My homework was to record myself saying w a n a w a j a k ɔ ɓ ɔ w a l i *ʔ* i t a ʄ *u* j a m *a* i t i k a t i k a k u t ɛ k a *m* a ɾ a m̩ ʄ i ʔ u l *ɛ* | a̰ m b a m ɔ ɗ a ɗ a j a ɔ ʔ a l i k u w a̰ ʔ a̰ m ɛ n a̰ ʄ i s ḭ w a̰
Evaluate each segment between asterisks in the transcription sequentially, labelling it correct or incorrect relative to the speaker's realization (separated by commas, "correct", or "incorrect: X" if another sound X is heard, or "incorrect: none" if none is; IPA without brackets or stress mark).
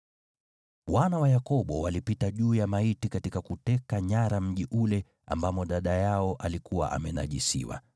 incorrect: p, incorrect: uː, correct, incorrect: ɲ, correct